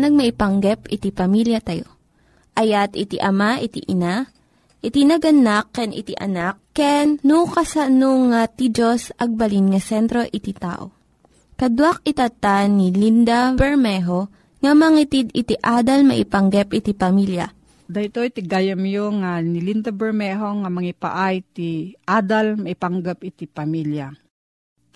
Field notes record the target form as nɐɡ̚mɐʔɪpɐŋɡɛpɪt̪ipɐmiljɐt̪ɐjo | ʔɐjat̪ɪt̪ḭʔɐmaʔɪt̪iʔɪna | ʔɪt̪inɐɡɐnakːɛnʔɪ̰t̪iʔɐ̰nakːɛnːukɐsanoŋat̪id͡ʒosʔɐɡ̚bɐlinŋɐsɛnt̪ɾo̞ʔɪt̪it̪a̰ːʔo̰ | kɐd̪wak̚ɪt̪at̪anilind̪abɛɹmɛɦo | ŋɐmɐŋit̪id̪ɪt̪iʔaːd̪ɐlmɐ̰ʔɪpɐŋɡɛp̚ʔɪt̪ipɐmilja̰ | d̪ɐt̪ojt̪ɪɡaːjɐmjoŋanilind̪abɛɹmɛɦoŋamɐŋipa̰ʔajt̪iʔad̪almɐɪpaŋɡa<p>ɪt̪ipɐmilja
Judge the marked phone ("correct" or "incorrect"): correct